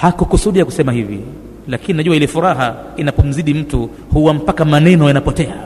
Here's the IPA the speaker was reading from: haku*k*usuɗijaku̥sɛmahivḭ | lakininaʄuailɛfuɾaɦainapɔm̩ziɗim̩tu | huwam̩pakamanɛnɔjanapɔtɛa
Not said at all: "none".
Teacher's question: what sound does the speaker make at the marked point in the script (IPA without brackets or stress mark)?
k